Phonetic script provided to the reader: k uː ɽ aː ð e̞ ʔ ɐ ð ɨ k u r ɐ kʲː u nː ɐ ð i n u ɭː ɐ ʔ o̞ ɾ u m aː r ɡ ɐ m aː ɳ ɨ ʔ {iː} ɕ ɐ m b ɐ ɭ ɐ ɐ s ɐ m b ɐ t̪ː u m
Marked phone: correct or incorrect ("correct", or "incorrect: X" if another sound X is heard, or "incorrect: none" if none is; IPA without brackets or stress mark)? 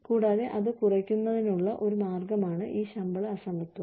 correct